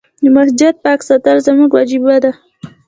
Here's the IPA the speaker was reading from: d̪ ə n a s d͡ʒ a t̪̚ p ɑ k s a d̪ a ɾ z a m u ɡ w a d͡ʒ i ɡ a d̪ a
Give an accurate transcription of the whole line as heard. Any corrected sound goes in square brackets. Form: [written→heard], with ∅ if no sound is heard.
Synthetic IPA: d̪ ə [n→m] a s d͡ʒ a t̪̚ p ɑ k s a [d̪→t̪] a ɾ z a m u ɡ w a d͡ʒ i [ɡ→b] a d̪ a